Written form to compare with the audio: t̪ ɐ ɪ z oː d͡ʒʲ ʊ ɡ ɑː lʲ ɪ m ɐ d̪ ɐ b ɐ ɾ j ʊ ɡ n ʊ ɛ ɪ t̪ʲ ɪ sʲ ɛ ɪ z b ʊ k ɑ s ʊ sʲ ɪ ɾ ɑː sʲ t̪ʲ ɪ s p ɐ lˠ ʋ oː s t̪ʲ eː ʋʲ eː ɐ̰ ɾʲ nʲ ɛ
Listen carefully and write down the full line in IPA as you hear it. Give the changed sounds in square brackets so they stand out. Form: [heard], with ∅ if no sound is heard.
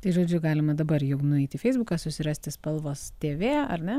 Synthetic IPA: t̪ ɐ ɪ [ʒ] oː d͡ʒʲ ʊ ɡ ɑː lʲ ɪ m ɐ d̪ ɐ b ɐ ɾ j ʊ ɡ n ʊ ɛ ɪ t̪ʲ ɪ [fʲ] ɛ ɪ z b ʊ k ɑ s ʊ sʲ ɪ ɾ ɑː sʲ t̪ʲ ɪ s p ɐ lˠ ʋ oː s t̪ʲ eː ʋʲ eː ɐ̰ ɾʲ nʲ ɛ